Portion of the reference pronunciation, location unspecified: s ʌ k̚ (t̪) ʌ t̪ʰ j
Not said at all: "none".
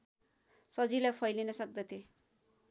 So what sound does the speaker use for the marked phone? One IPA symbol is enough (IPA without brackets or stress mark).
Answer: d̪